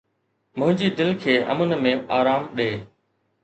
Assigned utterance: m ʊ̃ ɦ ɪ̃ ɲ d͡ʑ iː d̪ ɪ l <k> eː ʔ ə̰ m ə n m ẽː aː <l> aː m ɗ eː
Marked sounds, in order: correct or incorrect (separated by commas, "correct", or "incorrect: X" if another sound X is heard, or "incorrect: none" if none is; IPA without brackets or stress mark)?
incorrect: kʰ, incorrect: ɾ